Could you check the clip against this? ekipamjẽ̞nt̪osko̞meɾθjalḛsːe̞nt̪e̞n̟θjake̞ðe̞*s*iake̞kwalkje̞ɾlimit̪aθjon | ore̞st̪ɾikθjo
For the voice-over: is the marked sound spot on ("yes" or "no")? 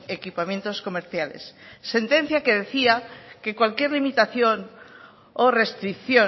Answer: no